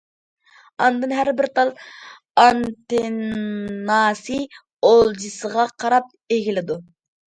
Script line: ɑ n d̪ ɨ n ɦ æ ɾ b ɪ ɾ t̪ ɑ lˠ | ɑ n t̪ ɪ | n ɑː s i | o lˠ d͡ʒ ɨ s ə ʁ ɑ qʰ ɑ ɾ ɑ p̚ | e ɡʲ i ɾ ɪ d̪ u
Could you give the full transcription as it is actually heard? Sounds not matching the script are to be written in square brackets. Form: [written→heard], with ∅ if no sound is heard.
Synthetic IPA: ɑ n d̪ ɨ n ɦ æ ɾ b ɪ ɾ t̪ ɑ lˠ | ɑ n t̪ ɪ | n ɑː s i | o lˠ d͡ʒ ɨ s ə ʁ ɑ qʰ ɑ ɾ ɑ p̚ | e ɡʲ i [ɾ→l] ɪ d̪ u